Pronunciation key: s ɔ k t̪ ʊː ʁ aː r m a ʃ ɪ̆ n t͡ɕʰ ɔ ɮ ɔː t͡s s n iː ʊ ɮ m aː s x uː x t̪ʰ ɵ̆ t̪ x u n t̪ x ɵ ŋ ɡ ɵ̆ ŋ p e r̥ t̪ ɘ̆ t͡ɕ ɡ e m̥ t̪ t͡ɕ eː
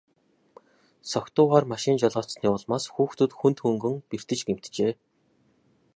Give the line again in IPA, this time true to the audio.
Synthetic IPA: s ɔ k t̪ ʊː ʁ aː r m a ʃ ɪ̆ n t͡ɕ ɔ ɮ ɔː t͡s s n iː ʊ ɮ m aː s x uː x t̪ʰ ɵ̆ t̪ x u n t̪ x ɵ ŋ ɡ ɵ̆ ŋ p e r̥ t̪ ɘ̆ t͡ɕ ɡ e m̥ t̪ t͡ɕ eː